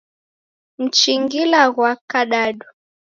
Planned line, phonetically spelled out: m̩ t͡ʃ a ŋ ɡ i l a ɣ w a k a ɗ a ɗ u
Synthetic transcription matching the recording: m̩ t͡ʃ i ŋ ɡ i l a ɣ w a k a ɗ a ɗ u